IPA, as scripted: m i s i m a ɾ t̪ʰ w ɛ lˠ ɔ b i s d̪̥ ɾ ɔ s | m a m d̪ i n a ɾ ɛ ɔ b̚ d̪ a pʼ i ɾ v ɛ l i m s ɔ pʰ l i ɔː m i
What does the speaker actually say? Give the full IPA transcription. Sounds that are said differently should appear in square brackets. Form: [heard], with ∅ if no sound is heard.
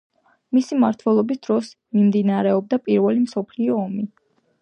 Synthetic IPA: m i s i m a ɾ t̪ʰ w ɛ lˠ ɔ b i s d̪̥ ɾ ɔ s | m [i] m d̪ i n a ɾ ɛ ɔ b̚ d̪ a pʼ i ɾ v ɛ l i m s ɔ pʰ l i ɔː m i